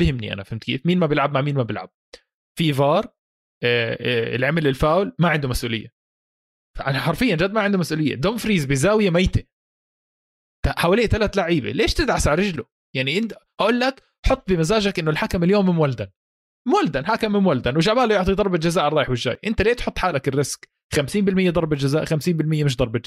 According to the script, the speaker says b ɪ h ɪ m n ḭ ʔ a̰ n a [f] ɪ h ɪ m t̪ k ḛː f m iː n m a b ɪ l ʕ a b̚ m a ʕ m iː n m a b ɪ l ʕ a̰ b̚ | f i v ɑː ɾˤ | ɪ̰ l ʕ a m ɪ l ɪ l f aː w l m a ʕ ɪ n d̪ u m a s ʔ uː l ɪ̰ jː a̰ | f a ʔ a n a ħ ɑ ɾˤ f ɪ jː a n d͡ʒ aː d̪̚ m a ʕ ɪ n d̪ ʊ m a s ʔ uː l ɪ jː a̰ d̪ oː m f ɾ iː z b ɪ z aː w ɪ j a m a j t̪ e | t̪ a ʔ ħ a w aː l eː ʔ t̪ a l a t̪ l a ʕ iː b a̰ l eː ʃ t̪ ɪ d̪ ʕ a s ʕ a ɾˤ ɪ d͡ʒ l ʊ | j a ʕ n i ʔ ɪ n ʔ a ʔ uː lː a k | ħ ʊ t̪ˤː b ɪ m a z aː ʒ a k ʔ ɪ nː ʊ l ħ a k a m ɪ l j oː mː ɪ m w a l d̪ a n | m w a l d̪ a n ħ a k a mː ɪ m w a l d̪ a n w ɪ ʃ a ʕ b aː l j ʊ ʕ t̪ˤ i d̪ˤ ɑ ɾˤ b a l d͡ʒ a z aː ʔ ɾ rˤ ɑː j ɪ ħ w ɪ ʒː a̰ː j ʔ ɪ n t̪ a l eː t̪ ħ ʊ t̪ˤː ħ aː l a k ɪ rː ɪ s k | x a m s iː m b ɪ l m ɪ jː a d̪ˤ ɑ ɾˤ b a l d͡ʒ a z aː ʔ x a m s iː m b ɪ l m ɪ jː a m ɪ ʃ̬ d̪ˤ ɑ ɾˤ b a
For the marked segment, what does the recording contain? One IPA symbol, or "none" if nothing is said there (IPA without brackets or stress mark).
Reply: f